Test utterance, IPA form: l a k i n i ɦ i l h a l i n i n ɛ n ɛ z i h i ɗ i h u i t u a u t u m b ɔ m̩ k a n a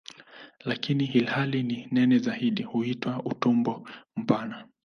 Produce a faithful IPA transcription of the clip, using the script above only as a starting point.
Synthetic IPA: l a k i n i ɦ i l h a l i n i n ɛ n ɛ z a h i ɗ i h u i t w a u t u m b ɔ m̩ p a n a